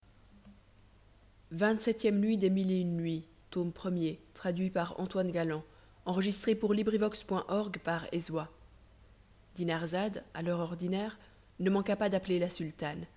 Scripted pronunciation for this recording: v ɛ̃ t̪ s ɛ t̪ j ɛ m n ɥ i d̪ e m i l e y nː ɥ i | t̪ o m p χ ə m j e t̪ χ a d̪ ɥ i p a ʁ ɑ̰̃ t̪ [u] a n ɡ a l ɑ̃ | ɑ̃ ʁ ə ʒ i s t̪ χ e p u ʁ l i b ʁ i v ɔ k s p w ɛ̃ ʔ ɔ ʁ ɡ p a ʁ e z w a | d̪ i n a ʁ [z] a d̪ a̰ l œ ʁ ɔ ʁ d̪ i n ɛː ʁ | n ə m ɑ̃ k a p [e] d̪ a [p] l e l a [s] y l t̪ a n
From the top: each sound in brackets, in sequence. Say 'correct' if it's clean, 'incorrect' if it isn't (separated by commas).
incorrect, correct, incorrect, correct, correct